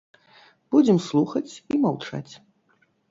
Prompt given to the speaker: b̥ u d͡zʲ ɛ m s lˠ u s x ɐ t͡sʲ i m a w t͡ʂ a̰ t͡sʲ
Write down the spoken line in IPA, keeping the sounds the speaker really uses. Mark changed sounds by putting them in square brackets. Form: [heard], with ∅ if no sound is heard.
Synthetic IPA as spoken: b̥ u d͡zʲ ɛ m s lˠ u [∅] x ɐ t͡sʲ i m a w t͡ʂ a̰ t͡sʲ